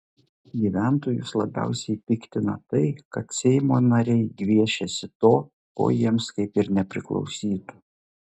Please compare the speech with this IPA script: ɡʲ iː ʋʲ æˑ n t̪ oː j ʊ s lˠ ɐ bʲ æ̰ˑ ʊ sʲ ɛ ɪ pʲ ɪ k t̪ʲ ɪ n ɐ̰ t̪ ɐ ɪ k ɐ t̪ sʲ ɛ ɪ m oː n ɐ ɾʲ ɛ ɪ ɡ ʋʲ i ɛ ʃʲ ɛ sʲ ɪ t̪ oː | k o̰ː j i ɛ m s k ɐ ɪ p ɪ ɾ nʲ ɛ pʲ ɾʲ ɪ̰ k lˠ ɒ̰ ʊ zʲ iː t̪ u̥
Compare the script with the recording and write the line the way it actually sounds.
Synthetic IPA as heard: ɡʲ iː ʋʲ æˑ n t̪ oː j ʊ s lˠ ɐ bʲ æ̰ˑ ʊ sʲ ɛ ɪ pʲ ɪ k t̪ʲ ɪ n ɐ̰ t̪ ɐ ɪ k ɐ t̪ sʲ ɛ ɪ m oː n ɐ ɾʲ ɛ ɪ ɡ ʋʲ i ɛ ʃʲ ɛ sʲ ɪ t̪ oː | k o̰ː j i ɛ m s k ɐ ɪ p ɪ ɾ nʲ ɛ pʲ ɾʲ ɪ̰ k lˠ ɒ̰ ʊ sʲ iː t̪ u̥